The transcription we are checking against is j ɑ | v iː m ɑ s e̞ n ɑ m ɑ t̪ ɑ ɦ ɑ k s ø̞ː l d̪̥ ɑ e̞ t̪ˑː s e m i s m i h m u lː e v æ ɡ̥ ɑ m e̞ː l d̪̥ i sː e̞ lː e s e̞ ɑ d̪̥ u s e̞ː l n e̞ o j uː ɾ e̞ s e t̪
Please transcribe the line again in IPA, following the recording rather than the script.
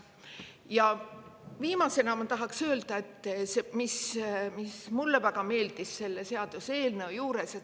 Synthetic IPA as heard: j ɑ | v iː m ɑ s e̞ n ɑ m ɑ t̪ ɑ ɦ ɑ k s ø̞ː l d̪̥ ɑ e̞ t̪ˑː s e m i s m i s m u lː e v æ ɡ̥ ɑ m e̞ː l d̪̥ i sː e̞ lː e s e̞ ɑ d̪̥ u s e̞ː l n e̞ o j uː ɾ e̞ s e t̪